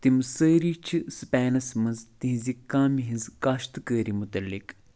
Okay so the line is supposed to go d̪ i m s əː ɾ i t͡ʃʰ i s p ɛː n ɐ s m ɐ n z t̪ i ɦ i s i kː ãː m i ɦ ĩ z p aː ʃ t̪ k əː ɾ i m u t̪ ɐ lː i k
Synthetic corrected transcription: t̪ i m s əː ɾ i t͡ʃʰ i s p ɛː n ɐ s m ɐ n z t̪ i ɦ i z i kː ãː m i ɦ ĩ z k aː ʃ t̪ k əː ɾ i m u t̪ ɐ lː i k